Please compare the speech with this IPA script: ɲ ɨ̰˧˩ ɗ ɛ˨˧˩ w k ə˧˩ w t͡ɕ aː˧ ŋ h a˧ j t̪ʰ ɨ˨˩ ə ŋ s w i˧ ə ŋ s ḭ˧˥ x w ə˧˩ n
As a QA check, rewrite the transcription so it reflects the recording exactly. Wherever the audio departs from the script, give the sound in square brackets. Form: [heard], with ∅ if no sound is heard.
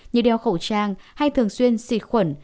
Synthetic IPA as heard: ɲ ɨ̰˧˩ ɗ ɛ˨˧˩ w [x] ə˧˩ w t͡ɕ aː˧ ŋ h a˧ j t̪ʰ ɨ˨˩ ə ŋ s w i˧ ə [n] s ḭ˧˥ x w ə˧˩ n